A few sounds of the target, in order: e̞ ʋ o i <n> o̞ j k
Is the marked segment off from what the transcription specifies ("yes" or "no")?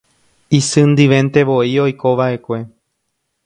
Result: yes